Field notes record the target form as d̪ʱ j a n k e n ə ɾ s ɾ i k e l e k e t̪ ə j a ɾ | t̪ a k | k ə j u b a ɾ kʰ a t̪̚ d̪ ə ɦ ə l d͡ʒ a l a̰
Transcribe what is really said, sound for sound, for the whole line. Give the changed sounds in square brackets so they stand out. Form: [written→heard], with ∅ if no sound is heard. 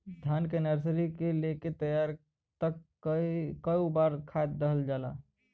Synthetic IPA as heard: d̪ʱ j a n k e n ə ɾ s ɾ i k e l e k e t̪ ə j a ɾ | t̪ [a→ə] k | k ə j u b a ɾ kʰ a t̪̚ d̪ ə ɦ ə l d͡ʒ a l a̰

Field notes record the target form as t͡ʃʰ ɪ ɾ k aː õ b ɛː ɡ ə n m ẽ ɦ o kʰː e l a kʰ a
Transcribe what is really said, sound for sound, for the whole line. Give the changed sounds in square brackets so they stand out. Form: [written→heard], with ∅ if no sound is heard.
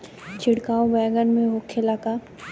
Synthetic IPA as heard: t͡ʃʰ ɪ [ɾ→ɽ] k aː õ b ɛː ɡ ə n m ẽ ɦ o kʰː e l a [kʰ→k] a

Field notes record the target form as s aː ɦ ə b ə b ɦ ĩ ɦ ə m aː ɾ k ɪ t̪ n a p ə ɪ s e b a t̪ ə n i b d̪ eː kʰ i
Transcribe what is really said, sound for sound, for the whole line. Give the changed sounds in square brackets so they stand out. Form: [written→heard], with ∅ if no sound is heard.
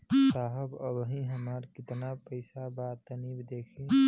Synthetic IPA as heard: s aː ɦ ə b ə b ɦ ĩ ɦ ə m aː ɾ k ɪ t̪ n a p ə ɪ s [e→a] b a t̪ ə n i b d̪ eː kʰ i

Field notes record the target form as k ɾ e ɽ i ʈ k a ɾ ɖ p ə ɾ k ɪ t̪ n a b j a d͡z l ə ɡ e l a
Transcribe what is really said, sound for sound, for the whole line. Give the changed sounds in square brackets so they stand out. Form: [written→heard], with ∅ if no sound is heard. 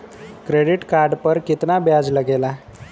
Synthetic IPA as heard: k ɾ e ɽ i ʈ k a ɾ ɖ p ə ɾ k [ɪ→i] t̪ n a b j a d͡z l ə ɡ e l a

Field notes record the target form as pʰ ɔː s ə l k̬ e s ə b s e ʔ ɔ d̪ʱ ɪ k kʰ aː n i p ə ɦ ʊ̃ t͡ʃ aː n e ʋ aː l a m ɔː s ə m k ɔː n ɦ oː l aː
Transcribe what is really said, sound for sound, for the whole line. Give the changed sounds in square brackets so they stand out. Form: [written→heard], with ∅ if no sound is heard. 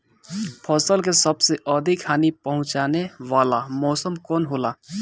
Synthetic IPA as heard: pʰ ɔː s ə l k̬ e s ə b s e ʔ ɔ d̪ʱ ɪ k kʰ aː n i p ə ɦ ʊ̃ t͡ʃ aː n e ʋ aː l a m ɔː s ə m k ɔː n ɦ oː l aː

